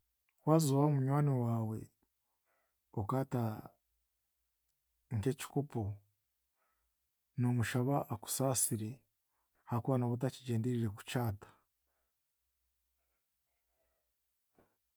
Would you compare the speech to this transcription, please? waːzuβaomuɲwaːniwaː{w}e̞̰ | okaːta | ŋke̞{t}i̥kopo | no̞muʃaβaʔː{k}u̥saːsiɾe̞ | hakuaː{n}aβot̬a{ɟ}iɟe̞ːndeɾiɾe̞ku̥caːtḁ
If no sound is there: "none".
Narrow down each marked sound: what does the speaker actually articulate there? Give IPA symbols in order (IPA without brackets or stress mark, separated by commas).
w, c, k, n, c